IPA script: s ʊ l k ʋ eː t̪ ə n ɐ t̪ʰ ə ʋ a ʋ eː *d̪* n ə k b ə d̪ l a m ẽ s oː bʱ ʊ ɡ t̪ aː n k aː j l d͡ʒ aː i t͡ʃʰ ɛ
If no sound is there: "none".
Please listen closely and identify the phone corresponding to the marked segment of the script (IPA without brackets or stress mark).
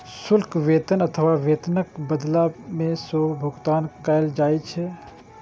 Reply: t̪